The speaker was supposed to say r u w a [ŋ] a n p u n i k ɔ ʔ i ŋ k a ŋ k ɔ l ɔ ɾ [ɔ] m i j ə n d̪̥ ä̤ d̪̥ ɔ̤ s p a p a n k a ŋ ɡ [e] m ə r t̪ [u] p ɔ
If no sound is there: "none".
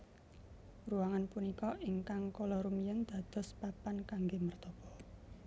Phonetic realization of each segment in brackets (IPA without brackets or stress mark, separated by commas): ŋ, u, e, ɔ